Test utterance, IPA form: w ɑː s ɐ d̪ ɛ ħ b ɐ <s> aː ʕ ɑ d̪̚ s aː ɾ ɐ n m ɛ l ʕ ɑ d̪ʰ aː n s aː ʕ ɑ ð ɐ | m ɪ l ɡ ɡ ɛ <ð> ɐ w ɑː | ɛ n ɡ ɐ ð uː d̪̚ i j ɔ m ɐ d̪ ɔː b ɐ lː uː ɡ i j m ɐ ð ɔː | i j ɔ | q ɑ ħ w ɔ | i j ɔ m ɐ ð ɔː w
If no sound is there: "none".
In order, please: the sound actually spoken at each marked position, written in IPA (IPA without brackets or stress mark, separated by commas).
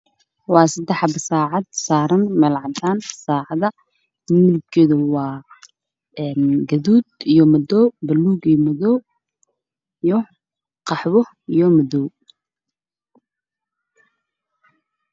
s, ð